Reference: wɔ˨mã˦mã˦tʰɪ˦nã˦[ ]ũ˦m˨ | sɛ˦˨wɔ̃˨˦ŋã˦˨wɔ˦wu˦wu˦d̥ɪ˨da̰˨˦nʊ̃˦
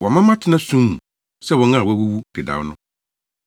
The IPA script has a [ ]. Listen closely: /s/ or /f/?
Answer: s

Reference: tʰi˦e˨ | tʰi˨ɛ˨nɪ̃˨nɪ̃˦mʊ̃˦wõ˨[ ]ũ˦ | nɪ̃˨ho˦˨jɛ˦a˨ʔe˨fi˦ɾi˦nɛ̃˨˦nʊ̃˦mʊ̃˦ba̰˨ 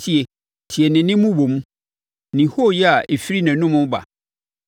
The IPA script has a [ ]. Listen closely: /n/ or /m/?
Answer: m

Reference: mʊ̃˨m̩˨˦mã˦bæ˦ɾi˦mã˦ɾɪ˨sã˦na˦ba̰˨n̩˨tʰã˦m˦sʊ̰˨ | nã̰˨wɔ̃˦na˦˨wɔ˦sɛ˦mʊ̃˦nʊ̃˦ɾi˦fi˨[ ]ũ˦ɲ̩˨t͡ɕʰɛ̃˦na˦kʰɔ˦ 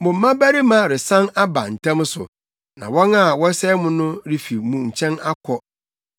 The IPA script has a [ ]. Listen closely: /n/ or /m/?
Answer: m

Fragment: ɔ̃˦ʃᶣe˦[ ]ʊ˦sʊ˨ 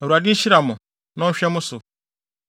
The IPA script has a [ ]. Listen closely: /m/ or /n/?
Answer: m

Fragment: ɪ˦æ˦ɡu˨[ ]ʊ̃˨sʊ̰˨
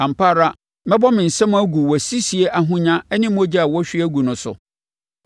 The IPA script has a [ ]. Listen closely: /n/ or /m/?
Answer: n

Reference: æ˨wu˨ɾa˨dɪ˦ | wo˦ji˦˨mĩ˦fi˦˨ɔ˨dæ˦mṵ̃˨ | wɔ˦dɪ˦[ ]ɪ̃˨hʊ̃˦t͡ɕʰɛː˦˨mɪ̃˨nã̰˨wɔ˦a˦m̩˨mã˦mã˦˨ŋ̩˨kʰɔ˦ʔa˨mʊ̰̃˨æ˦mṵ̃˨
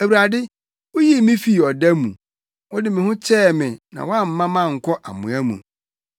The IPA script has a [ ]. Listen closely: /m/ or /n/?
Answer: m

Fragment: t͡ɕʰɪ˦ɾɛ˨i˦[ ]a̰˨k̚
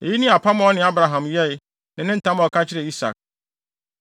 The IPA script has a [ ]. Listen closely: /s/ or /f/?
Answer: s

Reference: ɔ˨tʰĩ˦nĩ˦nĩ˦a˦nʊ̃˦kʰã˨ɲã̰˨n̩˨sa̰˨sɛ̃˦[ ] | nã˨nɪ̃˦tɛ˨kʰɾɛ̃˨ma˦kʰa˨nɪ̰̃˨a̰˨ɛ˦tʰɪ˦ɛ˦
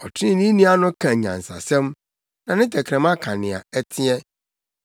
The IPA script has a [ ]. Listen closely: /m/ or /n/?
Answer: m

